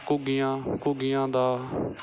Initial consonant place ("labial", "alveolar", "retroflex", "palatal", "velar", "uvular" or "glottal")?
velar